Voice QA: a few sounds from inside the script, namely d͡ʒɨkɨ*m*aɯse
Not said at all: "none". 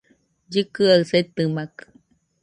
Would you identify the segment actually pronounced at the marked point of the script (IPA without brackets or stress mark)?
none